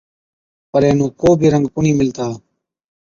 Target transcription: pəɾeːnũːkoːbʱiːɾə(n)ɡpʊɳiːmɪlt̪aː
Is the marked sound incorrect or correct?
incorrect